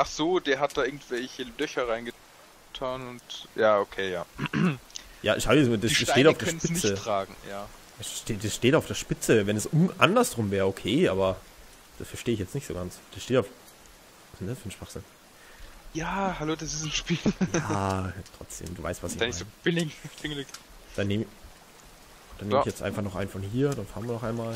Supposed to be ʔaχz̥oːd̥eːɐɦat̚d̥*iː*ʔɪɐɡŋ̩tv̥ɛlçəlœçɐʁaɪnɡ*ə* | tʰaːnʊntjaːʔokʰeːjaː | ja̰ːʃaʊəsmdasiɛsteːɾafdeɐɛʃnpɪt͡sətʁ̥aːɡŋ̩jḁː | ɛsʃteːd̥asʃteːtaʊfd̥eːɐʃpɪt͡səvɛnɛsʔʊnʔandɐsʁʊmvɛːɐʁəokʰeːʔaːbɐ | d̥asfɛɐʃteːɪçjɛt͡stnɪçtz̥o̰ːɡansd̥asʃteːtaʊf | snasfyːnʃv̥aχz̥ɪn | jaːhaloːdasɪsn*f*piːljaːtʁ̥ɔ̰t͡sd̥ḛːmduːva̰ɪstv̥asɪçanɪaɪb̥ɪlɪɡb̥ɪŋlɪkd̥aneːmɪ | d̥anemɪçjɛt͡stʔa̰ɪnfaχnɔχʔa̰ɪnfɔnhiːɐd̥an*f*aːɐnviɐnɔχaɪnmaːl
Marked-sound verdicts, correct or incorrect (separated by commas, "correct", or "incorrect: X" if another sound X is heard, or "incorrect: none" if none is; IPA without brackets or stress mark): incorrect: aː, correct, incorrect: ʃ, correct